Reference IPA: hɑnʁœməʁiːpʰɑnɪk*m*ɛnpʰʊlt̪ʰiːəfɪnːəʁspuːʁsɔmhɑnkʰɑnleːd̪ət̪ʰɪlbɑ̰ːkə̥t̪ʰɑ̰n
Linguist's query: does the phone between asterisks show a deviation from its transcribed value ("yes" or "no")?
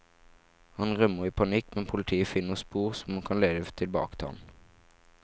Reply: no